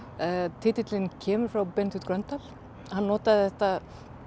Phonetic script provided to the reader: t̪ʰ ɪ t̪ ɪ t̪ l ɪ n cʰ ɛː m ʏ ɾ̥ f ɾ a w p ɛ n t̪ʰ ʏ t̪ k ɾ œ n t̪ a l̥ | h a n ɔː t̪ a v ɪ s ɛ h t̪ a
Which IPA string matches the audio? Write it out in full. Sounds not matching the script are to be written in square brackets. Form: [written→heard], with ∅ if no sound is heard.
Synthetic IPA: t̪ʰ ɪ t̪ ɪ t̪ l ɪ n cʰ ɛː m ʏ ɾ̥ f ɾ a w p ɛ n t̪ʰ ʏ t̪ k ɾ œ n t̪ a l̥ | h a [n→nː] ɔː t̪ a [v→ð] ɪ [s→θ] ɛ h t̪ a